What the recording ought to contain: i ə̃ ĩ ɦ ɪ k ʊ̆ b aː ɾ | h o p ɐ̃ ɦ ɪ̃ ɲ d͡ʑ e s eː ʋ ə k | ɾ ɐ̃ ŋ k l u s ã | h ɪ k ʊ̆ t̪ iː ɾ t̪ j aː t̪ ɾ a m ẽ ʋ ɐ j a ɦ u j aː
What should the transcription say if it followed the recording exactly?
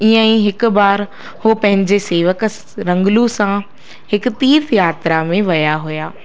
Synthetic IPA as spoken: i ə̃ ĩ ɦ ɪ k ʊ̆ b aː ɾ | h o p ɐ̃ ɦ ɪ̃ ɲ d͡ʑ e s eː ʋ ə k | ɾ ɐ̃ ŋ ɡ l u s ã | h ɪ k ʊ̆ t̪ iː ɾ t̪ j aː t̪ ɾ a m ẽ ʋ ɐ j a ɦ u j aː